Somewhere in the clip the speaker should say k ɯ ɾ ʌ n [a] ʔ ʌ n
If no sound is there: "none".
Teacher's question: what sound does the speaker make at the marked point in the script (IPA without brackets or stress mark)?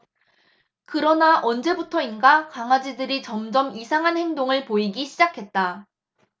a